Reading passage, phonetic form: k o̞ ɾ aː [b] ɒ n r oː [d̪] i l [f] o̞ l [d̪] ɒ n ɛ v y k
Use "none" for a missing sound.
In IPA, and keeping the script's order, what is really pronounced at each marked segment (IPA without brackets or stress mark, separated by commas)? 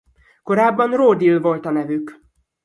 bː, d̪, v, t̪